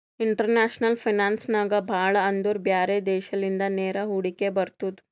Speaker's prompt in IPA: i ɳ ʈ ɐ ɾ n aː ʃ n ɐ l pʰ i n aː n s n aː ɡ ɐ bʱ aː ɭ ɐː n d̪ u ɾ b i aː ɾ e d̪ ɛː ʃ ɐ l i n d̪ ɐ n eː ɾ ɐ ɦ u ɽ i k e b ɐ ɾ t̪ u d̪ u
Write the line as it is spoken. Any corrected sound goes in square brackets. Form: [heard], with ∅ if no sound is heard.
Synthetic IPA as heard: i ɳ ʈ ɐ ɾ n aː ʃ n ɐ l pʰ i n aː n s n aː ɡ ɐ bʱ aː ɭ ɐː n d̪ u ɾ b [j] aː ɾ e d̪ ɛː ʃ ɐ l i n d̪ ɐ n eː ɾ ɐ ɦ u ɽ i k e b ɐ ɾ t̪ u d̪ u